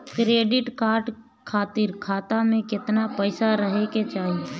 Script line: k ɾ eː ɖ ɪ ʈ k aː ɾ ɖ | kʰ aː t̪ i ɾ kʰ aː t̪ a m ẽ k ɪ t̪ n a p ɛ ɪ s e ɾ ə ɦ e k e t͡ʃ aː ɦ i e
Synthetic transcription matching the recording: k ɾ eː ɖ ɪ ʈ k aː ɾ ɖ | kʰ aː t̪ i ɾ kʰ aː t̪ a m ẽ k ɪ t̪ n a p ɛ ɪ s a ɾ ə ɦ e k e t͡ʃ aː ɦ i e